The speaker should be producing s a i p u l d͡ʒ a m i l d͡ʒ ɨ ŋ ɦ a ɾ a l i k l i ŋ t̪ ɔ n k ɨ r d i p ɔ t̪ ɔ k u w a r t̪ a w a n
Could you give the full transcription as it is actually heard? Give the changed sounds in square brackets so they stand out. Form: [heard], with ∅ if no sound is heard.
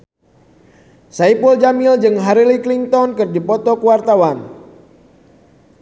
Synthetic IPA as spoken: s a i p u l d͡ʒ a m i l d͡ʒ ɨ ŋ ɦ a ɾ [i] l i k l i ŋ t̪ ɔ n k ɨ r d i p ɔ t̪ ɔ k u w a r t̪ a w a n